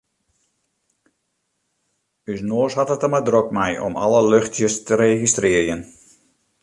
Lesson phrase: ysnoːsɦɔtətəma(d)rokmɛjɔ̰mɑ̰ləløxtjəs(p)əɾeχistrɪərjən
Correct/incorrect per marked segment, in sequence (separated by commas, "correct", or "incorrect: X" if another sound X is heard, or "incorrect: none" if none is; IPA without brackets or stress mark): correct, incorrect: t